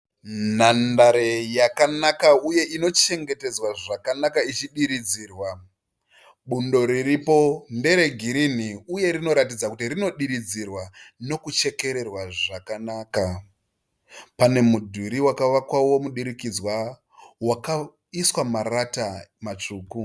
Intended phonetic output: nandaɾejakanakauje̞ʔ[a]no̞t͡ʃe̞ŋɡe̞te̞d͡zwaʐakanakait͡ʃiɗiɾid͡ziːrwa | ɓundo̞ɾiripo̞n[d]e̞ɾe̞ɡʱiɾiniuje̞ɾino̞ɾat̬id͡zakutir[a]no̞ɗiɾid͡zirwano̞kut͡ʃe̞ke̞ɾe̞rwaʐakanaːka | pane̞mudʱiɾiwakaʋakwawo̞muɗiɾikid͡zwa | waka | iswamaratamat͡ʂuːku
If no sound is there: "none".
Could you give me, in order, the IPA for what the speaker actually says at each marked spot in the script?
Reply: i, d, i

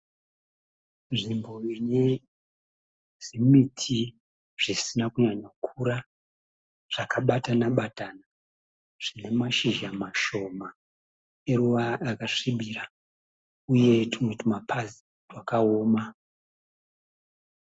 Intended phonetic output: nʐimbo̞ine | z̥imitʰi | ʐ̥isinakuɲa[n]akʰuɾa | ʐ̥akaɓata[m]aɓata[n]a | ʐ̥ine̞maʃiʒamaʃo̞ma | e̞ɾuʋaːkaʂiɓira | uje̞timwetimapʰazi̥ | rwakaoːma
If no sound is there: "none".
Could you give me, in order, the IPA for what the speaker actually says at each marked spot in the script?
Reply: ɲ, n, n

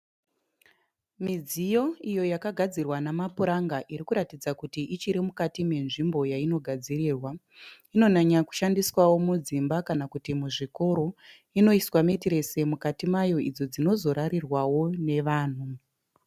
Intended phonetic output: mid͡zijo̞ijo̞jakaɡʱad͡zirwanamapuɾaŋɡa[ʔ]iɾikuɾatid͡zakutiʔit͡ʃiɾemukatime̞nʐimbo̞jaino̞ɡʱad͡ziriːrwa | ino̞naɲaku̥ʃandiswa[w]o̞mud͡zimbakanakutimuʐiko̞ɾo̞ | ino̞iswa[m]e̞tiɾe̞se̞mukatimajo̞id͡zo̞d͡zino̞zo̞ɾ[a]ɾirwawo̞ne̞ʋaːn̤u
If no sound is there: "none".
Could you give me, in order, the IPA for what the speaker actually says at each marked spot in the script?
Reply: ʔ, w, m, a

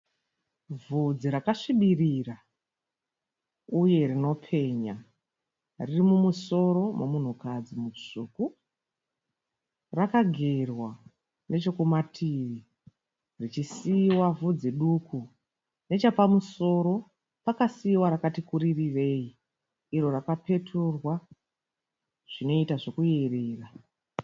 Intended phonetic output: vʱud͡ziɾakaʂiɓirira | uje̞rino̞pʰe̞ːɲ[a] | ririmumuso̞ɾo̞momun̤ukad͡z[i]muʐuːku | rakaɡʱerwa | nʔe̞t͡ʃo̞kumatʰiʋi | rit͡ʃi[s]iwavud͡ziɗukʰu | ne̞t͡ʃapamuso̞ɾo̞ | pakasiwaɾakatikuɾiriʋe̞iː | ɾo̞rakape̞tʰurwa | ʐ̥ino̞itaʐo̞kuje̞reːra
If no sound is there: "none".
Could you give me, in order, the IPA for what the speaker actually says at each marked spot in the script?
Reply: a, i, s

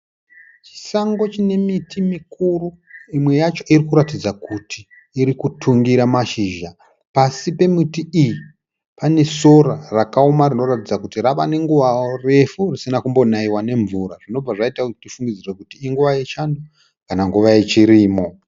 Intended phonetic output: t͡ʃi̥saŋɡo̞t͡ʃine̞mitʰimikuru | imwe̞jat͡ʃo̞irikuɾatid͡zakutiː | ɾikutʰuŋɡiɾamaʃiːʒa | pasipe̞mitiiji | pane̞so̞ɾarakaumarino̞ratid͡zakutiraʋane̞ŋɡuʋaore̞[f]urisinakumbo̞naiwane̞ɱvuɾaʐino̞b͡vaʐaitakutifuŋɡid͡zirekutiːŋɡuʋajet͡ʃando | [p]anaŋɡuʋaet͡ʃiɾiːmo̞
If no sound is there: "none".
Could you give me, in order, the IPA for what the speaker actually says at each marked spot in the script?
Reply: f, k

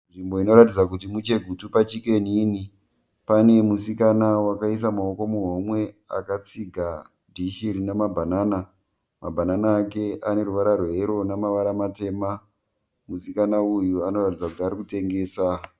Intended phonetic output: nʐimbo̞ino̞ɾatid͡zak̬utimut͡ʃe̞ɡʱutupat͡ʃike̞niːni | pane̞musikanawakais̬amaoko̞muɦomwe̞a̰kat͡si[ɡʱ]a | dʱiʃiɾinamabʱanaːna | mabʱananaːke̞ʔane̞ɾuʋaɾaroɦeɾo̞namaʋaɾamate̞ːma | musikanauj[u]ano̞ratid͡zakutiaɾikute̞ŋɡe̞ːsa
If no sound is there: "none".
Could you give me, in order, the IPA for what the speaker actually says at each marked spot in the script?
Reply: ɡʱ, u

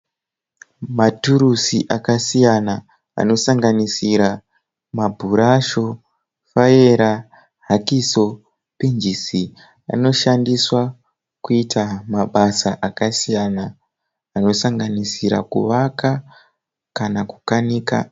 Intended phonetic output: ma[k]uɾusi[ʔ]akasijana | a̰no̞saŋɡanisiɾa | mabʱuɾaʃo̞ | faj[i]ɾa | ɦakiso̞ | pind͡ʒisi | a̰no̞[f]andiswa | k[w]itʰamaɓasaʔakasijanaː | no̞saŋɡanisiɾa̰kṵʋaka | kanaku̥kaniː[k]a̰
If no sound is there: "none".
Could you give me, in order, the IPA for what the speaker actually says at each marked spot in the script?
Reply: t, ʔ, e, ʃ, u, k

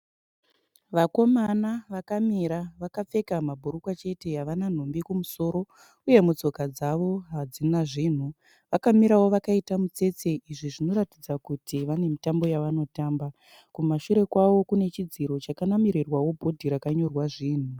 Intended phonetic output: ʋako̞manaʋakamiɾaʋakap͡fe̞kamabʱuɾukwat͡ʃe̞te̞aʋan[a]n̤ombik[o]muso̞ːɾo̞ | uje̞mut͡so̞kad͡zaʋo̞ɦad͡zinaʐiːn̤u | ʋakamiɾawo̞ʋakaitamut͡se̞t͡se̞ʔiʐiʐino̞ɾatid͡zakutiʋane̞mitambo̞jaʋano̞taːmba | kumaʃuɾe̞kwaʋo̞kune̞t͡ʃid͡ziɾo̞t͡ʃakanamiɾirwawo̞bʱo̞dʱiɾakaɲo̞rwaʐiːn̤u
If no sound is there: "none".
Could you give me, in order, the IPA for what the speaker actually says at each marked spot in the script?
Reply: a, u

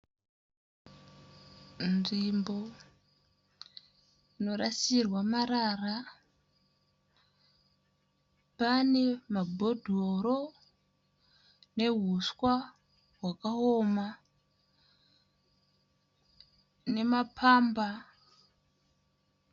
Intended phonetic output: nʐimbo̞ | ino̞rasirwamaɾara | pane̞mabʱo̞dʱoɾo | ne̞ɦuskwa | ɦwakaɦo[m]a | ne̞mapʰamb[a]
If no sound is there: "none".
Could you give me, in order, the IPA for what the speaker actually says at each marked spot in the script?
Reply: m, a

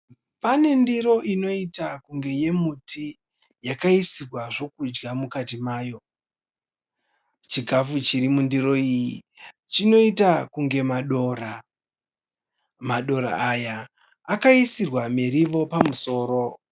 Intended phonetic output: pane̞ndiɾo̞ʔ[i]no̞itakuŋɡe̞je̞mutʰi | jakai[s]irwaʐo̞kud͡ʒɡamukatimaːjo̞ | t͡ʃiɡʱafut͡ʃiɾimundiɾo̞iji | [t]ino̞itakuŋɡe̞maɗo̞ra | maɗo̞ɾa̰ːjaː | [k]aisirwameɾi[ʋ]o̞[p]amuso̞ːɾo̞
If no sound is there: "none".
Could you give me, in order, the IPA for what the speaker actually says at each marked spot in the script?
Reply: i, s, t͡ʃ, k, ʋ, p

